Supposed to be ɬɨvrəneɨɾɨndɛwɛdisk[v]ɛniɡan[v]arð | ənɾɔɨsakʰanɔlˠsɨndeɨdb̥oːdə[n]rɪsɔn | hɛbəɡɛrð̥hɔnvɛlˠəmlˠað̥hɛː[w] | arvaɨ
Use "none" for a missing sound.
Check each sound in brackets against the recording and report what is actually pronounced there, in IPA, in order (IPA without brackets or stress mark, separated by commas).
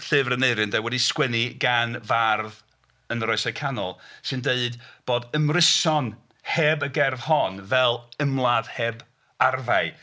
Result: w, v, m, b